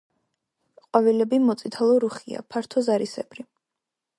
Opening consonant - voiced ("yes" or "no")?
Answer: no